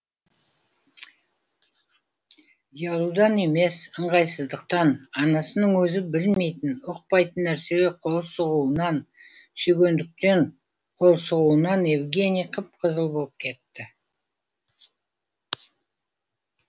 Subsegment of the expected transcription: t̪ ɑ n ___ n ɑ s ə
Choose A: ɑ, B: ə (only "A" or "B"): A